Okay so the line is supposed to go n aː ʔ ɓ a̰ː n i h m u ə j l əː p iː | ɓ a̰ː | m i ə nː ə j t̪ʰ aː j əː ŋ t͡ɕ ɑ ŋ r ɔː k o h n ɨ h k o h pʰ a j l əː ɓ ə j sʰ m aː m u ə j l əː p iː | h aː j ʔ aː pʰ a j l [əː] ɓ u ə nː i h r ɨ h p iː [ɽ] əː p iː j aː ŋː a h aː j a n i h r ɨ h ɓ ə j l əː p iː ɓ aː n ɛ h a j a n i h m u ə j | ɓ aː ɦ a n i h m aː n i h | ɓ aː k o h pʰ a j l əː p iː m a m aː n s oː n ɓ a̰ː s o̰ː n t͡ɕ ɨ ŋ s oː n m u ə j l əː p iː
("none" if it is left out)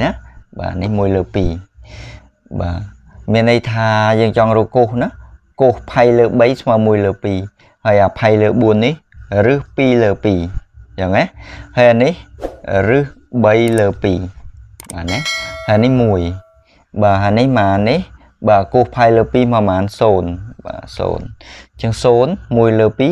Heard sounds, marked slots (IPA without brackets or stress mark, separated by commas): əː, l